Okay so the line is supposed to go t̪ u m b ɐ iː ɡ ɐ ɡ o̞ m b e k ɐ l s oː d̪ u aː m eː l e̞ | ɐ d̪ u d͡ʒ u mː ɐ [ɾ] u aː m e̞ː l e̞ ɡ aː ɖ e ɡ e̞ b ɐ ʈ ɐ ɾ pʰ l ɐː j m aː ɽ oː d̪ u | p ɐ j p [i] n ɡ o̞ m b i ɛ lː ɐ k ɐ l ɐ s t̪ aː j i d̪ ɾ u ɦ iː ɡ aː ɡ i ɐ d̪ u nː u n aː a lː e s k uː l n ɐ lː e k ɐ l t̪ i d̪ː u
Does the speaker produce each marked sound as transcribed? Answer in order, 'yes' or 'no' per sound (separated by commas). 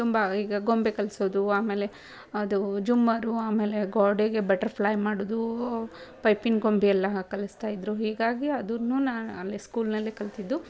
yes, yes